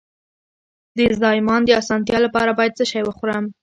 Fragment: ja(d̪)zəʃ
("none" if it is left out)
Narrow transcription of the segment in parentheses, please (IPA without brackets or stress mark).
d̪